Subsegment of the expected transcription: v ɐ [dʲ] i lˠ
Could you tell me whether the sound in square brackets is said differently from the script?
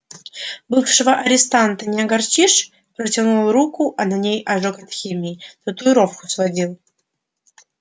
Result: no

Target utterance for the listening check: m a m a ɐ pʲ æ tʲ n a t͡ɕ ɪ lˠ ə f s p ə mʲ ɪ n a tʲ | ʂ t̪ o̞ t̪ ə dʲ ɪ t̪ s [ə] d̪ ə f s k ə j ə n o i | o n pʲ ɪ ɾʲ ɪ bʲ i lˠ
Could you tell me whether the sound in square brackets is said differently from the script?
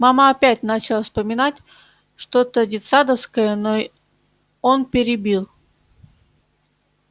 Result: yes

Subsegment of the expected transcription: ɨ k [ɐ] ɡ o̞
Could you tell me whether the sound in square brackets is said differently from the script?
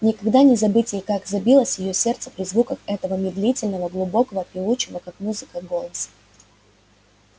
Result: yes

